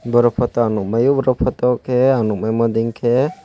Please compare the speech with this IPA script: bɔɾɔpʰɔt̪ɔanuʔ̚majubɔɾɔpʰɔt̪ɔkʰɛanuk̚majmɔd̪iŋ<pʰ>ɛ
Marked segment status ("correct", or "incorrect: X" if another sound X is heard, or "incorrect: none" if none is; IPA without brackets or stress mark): incorrect: kʰ